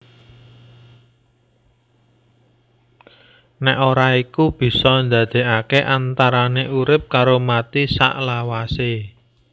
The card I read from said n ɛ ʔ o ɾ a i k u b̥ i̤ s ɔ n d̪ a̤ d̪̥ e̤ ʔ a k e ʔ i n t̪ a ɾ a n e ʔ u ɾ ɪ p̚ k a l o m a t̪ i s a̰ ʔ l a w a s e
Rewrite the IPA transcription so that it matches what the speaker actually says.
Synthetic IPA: n ɛ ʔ o ɾ a i k u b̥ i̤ s ɔ n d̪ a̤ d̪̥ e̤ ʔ a k e ʔ a n t̪ a ɾ a n e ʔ u ɾ ɪ p̚ k a ɾ o m a t̪ i s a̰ ʔ l a w a s e